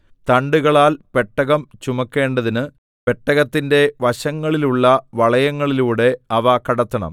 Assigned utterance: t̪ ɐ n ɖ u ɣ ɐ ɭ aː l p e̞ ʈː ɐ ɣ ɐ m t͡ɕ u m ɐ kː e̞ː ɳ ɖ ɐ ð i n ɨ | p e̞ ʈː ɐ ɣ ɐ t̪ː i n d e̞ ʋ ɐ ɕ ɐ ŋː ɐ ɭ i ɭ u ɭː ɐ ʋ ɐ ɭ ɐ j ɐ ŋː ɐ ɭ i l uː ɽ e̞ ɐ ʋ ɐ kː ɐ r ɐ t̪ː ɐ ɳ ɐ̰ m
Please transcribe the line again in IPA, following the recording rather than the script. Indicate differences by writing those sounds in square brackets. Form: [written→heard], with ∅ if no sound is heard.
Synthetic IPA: t̪ ɐ [n→ɳ] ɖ u ɣ ɐ ɭ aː l p e̞ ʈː ɐ ɣ ɐ m t͡ɕ u m ɐ kː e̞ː ɳ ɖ ɐ ð i n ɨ | p e̞ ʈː ɐ ɣ ɐ t̪ː i n d e̞ ʋ ɐ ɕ ɐ ŋː ɐ ɭ i [ɭ→l] u ɭː ɐ ʋ ɐ ɭ ɐ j ɐ ŋː ɐ ɭ i l uː ɽ e̞ ɐ ʋ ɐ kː ɐ [r→ɽ] ɐ t̪ː ɐ ɳ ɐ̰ m